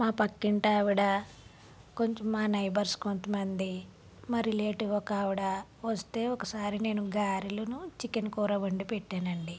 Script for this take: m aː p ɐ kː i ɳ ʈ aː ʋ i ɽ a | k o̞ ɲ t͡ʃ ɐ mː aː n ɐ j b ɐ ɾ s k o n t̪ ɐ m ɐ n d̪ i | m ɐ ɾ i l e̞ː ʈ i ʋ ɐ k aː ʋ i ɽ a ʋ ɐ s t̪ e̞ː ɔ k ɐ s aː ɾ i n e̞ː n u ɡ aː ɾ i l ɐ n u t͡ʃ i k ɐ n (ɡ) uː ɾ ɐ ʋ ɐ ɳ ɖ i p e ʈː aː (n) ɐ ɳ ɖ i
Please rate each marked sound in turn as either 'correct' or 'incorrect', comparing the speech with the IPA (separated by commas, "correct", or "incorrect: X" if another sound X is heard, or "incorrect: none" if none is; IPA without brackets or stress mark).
incorrect: k, correct